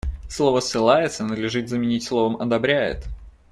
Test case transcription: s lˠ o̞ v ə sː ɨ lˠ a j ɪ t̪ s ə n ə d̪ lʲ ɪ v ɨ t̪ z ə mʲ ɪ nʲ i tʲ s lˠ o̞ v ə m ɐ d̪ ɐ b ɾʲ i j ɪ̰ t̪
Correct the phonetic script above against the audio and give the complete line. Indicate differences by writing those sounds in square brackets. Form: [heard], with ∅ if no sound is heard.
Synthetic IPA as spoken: s lˠ o̞ v ə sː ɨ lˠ a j ɪ t̪ s ə n ə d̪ lʲ ɪ [ʐ] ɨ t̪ z ə mʲ ɪ nʲ i tʲ s lˠ o̞ v ə m ɐ d̪ ɐ b ɾʲ [æ] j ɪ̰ t̪